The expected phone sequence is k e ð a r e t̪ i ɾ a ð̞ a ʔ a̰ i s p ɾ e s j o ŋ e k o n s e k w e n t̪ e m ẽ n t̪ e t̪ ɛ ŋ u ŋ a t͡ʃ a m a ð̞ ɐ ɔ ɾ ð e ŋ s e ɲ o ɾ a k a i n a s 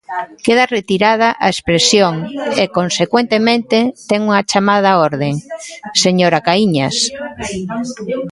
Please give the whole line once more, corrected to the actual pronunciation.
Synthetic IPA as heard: k e ð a r e t̪ i ɾ a ð̞ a ʔ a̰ e s p ɾ e s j o ŋ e k o n s e k w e n t̪ e m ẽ n t̪ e t̪ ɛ ŋ u ŋ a t͡ʃ a m a ð̞ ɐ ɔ ɾ ð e ŋ s e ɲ o ɾ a k a i ɲ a s